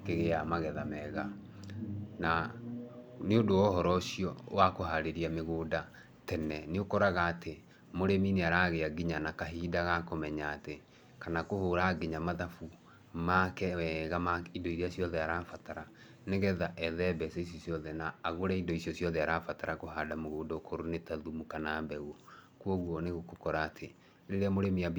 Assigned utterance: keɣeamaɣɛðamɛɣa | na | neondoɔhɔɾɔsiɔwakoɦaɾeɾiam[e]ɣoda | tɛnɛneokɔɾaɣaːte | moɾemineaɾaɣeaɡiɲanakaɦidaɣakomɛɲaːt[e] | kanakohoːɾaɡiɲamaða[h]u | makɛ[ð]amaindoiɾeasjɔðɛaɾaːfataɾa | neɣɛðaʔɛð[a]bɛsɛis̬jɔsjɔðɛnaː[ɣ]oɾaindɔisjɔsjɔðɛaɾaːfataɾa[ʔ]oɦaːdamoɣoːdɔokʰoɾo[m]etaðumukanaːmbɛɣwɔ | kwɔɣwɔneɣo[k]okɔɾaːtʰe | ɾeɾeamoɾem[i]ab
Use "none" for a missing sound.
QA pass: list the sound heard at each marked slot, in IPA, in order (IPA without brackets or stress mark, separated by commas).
e, e, f, ɣ, ɛ, ɣ, k, n, k, i